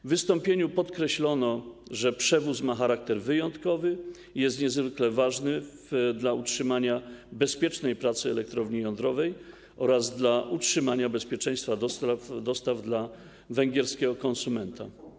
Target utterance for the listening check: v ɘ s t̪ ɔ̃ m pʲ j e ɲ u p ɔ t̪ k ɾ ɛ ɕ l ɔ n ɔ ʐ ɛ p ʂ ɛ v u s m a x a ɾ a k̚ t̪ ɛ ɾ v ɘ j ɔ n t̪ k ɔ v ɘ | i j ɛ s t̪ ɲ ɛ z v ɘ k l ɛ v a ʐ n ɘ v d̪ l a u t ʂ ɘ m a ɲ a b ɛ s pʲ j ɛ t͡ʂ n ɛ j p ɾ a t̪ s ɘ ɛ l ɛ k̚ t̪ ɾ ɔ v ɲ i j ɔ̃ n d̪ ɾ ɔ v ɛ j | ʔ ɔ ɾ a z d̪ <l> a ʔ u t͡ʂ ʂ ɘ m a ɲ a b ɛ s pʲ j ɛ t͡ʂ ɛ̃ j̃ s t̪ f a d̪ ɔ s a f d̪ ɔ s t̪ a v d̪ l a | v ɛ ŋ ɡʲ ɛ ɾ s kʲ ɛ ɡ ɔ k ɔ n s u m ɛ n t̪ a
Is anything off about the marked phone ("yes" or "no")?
no